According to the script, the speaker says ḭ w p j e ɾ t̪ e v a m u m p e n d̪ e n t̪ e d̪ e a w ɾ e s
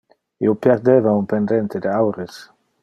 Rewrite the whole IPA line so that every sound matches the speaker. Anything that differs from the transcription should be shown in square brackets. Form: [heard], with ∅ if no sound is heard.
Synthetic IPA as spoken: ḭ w p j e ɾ [d̪] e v a [∅] u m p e n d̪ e n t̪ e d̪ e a w ɾ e s